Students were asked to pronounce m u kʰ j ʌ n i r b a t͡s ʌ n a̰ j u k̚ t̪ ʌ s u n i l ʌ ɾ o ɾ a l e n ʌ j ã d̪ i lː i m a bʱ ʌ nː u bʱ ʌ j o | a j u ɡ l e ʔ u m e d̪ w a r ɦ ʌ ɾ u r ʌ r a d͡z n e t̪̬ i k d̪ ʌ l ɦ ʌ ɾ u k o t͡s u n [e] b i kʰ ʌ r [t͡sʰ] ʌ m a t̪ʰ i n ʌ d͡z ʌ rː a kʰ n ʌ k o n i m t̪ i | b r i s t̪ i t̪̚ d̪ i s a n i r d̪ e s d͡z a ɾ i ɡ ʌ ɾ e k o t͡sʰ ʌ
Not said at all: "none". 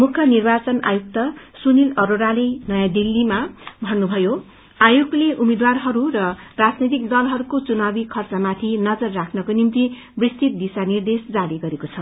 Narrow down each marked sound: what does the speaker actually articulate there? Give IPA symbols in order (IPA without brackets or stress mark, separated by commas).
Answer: a, t͡s